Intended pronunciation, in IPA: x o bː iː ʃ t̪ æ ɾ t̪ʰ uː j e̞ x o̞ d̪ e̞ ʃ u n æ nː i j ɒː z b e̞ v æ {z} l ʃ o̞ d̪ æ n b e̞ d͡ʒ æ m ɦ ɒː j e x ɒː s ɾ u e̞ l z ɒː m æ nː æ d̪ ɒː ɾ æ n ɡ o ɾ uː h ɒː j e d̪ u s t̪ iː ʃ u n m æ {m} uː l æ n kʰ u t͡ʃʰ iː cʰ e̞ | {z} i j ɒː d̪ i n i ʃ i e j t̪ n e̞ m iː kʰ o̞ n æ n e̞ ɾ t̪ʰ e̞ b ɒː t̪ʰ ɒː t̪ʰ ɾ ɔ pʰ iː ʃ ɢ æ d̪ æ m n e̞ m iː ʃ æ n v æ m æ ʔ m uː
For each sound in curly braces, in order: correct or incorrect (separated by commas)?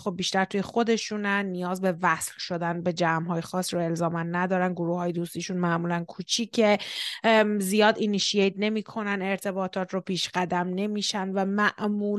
incorrect, correct, correct